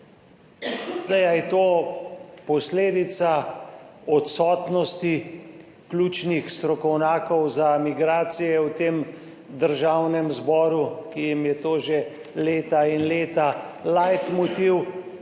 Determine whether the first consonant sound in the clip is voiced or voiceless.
voiced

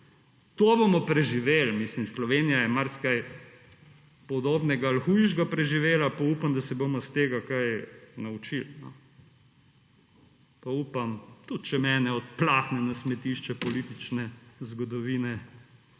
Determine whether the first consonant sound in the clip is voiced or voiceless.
voiceless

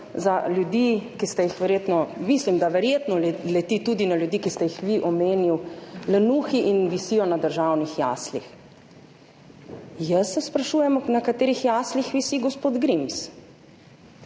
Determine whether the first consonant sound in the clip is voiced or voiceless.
voiced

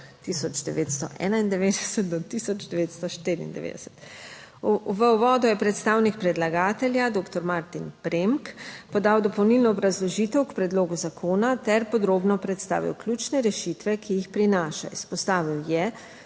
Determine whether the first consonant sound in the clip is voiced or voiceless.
voiceless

